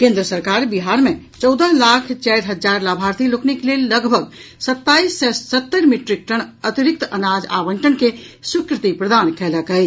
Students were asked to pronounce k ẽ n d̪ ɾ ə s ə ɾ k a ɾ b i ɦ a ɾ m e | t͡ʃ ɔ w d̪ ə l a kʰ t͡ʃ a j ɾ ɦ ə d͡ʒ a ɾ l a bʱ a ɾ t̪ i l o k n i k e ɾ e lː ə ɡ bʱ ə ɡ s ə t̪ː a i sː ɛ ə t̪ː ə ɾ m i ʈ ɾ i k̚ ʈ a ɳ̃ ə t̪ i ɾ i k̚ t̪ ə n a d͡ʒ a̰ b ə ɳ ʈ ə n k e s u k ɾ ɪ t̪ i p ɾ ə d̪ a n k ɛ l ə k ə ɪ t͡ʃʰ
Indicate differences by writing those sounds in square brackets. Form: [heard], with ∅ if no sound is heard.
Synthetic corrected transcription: k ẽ n d̪ ɾ ə s ə ɾ k a ɾ b i ɦ a ɾ m e | t͡ʃ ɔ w d̪ ə l a kʰ t͡ʃ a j ɾ ɦ ə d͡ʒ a ɾ l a bʱ a ɾ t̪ i l o k n i k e [l] e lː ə ɡ bʱ ə ɡ s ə t̪ː a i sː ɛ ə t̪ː ə ɾ m i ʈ ɾ i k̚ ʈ [ə] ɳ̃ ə t̪ i ɾ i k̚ t̪ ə n a d͡ʒ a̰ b ə ɳ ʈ ə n k e s u k ɾ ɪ t̪ i p ɾ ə d̪ a n k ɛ l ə k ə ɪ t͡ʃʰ